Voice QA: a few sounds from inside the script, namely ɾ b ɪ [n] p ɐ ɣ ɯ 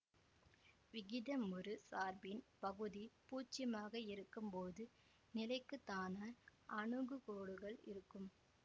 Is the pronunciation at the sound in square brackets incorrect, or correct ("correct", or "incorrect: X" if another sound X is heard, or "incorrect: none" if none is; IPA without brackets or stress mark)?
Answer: correct